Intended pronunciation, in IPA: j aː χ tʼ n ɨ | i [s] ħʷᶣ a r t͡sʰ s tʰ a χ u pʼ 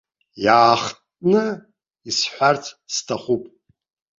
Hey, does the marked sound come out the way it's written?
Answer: yes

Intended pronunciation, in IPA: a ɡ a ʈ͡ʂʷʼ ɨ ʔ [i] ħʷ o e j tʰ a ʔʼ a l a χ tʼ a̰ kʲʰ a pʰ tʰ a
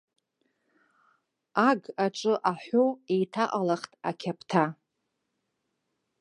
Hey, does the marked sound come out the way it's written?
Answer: no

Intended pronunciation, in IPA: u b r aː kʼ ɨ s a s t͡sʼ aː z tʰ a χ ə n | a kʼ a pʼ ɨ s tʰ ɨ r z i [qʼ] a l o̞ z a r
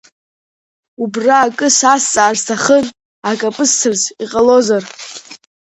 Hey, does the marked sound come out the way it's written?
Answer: yes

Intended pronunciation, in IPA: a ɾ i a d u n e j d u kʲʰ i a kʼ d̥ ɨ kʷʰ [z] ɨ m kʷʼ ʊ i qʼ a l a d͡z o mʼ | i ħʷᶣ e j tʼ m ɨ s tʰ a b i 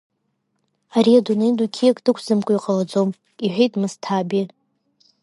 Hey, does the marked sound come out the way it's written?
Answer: yes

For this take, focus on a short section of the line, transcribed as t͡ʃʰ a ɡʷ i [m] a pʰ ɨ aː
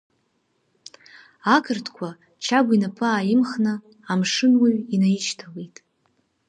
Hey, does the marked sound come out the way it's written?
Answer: no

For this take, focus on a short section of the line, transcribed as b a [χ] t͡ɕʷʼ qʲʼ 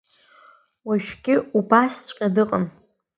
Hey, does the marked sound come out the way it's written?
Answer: no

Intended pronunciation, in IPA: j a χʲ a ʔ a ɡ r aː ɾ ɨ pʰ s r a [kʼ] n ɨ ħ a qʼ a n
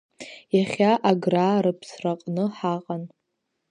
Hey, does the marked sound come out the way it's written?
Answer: no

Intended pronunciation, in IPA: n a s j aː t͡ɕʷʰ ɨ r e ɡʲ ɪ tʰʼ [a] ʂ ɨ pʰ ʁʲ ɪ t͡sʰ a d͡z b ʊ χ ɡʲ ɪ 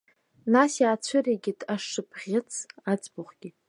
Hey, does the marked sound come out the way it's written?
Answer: yes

